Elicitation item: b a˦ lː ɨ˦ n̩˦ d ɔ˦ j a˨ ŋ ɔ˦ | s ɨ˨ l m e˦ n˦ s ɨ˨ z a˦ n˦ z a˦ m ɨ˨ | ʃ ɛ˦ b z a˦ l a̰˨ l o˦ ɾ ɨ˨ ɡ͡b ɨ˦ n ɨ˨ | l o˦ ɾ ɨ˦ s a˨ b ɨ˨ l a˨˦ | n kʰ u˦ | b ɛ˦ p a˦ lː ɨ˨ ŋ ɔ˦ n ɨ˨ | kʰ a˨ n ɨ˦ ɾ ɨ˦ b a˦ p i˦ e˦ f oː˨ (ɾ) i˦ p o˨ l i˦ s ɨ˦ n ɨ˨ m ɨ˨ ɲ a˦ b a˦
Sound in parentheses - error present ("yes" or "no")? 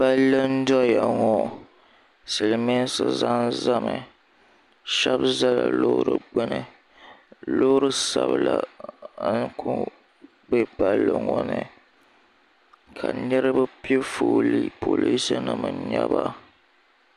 yes